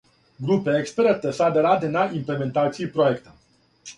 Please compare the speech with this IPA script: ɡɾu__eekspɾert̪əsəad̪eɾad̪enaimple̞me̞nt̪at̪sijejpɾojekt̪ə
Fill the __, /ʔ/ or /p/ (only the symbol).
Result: p